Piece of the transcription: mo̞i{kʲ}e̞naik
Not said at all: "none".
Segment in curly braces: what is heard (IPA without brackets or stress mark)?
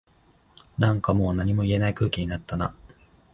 none